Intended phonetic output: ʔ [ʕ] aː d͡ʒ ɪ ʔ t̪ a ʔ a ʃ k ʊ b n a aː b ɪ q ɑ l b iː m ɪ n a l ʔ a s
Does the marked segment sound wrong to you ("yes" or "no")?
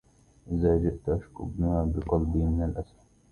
yes